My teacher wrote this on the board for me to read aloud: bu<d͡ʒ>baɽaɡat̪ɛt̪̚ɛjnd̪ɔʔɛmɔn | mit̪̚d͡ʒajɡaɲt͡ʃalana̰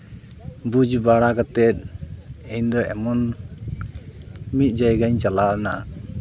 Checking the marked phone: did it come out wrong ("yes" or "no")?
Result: no